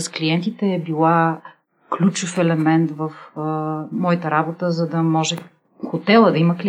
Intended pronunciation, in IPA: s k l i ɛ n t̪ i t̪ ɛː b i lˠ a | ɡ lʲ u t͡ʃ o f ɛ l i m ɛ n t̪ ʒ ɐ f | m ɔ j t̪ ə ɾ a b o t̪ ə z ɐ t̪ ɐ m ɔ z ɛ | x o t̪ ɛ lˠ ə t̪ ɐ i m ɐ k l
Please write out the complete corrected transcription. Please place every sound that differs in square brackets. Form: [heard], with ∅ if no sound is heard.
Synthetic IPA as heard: s k l i ɛ n t̪ i t̪ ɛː b i lˠ a | [k] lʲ u t͡ʃ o f ɛ l [ɛ] m ɛ n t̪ [v] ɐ f | m ɔ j t̪ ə ɾ a b o t̪ ə z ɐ [d̪] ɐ m ɔ [ʒ] ɛ | x o t̪ ɛ lˠ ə [d̪] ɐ i m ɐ k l